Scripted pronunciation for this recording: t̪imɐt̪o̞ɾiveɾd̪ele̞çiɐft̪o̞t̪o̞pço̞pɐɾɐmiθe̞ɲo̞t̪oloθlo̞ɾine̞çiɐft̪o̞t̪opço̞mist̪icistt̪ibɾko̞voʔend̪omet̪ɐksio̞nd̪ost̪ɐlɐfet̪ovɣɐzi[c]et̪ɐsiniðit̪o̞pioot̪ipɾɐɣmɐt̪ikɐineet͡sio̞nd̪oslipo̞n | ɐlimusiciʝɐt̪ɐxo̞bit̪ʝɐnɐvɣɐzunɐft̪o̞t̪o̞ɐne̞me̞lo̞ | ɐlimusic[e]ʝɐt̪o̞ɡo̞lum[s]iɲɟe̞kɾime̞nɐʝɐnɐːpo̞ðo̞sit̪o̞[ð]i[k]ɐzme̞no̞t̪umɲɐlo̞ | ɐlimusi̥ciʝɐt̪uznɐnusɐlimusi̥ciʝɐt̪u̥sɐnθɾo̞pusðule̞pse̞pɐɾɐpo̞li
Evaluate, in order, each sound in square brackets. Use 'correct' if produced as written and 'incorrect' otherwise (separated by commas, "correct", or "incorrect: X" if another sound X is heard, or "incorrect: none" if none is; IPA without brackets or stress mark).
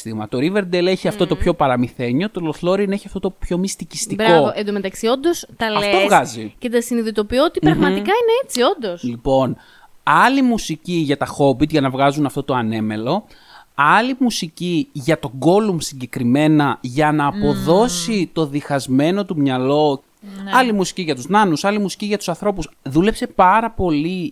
correct, incorrect: i, correct, correct, incorrect: x